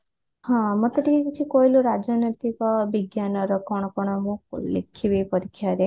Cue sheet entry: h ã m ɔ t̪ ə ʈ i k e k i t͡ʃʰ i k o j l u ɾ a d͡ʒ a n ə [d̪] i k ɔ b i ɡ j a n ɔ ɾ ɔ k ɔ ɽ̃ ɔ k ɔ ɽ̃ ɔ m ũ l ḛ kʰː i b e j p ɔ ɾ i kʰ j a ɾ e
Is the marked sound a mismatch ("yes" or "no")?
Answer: yes